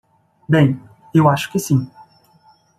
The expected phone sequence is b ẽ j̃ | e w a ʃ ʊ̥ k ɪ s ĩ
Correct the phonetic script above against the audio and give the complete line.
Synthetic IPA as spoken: b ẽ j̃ | e w a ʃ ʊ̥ k ɪ s ĩ